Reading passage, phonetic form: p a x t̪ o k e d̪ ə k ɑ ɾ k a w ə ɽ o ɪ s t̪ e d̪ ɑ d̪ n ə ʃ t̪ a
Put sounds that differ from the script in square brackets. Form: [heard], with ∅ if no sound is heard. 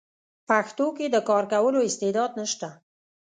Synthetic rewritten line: p a x t̪ o k e d̪ ə k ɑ ɾ k a w ə [l] o ɪ s t̪ e d̪ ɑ d̪ n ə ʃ t̪ a